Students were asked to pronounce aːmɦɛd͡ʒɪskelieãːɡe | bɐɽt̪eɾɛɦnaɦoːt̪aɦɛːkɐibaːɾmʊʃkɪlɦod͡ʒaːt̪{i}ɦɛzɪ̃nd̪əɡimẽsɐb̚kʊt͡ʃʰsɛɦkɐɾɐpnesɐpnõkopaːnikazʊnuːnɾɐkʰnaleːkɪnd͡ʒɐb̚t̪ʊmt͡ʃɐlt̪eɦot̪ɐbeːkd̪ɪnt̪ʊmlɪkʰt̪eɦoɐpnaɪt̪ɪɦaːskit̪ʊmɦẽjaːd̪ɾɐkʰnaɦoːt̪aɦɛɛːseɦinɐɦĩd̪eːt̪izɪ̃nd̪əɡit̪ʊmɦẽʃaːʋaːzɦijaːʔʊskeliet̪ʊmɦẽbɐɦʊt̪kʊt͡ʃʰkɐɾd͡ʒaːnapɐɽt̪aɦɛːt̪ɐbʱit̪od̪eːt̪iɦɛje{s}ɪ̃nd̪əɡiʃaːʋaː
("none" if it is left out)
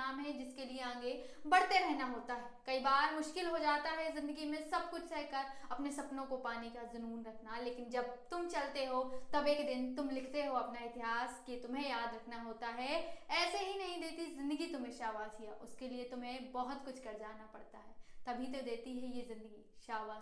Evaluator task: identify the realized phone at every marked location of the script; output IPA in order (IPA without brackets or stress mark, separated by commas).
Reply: a, z